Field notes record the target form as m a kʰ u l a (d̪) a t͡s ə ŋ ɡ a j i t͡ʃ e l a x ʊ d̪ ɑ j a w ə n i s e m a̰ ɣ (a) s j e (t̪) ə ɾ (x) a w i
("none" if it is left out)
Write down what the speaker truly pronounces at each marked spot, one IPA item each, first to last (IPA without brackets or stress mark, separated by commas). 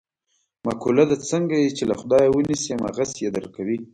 d̪, a, d̪, k